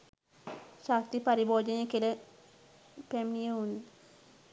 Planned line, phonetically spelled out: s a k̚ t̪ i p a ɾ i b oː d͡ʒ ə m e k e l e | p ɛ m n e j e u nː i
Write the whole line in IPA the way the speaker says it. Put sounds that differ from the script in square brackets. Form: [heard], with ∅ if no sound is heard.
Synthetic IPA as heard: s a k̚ t̪ i p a ɾ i b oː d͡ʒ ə [n] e k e l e | p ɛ m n [i] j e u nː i